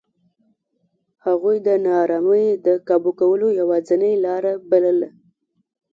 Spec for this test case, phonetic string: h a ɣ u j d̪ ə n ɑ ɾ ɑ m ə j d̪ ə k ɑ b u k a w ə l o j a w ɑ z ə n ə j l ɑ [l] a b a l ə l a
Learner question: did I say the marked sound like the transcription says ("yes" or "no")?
no